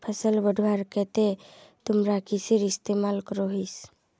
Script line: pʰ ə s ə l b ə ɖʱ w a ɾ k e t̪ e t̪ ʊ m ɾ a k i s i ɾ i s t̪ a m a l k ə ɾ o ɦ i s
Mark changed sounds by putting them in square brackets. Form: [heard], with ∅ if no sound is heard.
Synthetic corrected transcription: pʰ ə s ə l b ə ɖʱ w a ɾ k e t̪ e t̪ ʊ m ɾ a k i s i ɾ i s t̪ [e] m a l k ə ɾ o ɦ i s